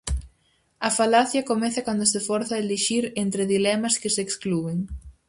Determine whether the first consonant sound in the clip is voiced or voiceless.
voiceless